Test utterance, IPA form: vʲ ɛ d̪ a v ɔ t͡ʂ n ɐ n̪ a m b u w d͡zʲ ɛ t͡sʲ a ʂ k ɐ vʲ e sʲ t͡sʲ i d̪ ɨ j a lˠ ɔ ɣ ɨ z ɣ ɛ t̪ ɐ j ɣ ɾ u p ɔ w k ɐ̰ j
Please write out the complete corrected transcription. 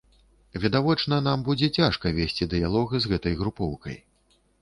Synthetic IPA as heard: vʲ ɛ d̪ a v ɔ t͡ʂ n ɐ n̪ a m b u d͡zʲ ɛ t͡sʲ a ʂ k ɐ vʲ e sʲ t͡sʲ i d̪ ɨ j a lˠ ɔ ɣ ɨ z ɣ ɛ t̪ ɐ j ɣ ɾ u p ɔ w k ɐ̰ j